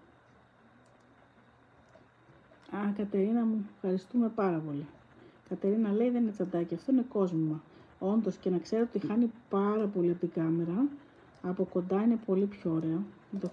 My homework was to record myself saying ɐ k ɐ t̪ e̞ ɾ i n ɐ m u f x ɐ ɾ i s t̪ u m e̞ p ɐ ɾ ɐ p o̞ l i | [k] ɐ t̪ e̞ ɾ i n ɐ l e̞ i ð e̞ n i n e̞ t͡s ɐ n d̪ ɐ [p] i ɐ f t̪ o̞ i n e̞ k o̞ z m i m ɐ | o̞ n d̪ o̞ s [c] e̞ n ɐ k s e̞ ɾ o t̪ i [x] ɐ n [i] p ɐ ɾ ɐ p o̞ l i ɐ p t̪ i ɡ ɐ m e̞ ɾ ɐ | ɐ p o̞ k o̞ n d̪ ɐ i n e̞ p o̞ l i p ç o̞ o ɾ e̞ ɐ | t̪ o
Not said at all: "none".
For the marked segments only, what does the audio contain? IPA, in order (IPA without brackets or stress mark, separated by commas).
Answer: k, c, c, x, i